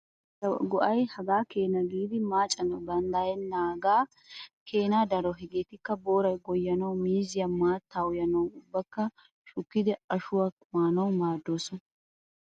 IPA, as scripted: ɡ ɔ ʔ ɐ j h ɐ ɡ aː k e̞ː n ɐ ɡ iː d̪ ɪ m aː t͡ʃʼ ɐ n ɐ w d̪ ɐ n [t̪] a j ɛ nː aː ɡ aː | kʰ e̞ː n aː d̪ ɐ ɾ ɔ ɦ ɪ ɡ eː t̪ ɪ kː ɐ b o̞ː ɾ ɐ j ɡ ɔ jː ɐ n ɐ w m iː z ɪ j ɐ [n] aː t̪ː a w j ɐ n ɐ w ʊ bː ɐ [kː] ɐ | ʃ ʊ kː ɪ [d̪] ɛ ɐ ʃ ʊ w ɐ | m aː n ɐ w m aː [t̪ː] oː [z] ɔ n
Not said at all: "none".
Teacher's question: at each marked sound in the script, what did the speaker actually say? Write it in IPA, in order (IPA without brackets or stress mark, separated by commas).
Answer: d̪, m, kː, d̪, d̪ː, s